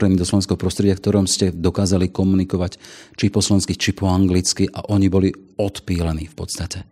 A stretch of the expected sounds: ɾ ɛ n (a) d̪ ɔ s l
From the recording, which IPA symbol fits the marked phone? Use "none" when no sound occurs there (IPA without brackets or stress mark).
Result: i